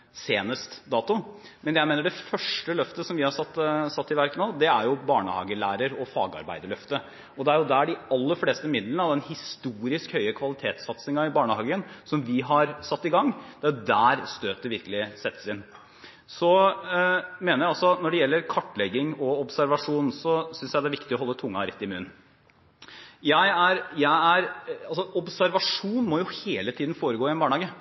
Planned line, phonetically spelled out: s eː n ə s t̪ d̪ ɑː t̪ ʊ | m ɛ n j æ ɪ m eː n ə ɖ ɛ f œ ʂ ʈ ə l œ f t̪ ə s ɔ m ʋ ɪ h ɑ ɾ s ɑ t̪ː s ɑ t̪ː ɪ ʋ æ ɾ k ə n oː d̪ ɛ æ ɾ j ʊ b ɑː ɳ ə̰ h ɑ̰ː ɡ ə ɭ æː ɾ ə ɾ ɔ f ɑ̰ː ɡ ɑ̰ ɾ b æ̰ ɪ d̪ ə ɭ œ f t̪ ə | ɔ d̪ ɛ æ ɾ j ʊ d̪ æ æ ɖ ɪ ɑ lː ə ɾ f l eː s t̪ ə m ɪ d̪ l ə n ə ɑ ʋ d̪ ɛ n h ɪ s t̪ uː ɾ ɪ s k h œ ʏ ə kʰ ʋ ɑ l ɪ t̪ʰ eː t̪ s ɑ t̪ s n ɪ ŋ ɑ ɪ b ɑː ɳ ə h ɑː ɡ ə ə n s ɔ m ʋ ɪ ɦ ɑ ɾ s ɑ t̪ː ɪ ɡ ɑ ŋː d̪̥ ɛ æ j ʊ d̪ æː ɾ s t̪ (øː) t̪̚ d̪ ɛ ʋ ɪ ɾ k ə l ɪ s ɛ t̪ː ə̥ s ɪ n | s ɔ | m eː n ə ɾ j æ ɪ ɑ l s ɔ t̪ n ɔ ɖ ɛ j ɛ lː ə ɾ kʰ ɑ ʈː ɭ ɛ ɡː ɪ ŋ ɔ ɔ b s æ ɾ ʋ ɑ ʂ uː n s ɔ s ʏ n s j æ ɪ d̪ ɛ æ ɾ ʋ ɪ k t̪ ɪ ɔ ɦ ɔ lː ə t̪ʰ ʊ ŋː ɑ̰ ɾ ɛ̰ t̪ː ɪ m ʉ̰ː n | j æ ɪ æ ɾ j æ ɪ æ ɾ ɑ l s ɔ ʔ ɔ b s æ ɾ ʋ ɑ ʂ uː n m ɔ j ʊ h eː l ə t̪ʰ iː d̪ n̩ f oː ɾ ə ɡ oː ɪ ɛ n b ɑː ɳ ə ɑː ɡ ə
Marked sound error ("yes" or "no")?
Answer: no